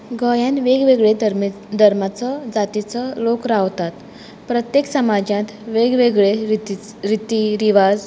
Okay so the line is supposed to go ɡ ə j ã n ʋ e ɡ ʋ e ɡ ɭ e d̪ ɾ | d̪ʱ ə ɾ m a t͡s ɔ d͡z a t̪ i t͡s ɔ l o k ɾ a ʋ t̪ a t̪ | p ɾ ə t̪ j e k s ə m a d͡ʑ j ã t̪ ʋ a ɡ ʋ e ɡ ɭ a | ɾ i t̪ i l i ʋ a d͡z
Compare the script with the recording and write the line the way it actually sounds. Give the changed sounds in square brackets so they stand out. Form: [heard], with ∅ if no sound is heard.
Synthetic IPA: ɡ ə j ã n ʋ e ɡ ʋ e ɡ ɭ e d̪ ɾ | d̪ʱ ə ɾ m a t͡s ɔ d͡z a t̪ i t͡s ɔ l o k ɾ a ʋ t̪ a t̪ | p ɾ ə t̪ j e k s ə m a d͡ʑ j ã t̪ ʋ [e] ɡ ʋ e ɡ ɭ [e] | ɾ i t̪ i [ɾ] i ʋ a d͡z